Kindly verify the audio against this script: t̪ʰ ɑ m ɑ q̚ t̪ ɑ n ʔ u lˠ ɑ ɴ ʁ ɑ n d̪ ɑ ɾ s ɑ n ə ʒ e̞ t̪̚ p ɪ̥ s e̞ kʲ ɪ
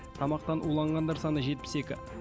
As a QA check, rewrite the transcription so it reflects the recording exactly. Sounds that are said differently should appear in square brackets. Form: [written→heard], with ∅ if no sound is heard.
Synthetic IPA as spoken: t̪ʰ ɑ m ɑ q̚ t̪ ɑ n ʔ u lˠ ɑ ɴ ʁ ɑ n d̪ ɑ ɾ s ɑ n ə ʒ e̞ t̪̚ p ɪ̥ s e̞ kʲ ɪ